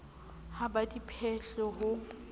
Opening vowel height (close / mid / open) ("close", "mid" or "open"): open